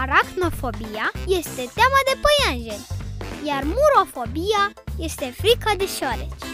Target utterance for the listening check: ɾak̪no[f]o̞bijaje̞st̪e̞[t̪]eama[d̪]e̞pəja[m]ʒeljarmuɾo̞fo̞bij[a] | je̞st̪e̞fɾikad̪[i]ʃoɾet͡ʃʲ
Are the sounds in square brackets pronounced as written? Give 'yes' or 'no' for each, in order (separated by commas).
yes, yes, yes, no, yes, no